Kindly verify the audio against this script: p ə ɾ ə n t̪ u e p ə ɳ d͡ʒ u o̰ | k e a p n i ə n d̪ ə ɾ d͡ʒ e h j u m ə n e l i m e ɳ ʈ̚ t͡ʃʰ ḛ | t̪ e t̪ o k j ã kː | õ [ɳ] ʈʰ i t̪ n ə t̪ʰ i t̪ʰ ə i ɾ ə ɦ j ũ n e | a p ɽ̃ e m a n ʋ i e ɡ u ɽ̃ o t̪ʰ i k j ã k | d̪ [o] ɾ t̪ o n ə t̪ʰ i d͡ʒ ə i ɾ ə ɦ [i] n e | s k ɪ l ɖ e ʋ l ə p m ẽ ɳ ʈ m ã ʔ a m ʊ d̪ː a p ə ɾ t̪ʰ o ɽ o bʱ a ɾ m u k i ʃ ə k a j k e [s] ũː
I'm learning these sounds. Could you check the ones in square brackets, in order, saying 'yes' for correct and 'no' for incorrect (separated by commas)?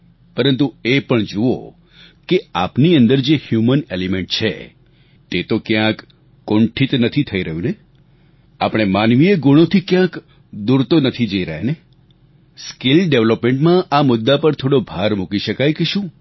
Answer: yes, no, no, no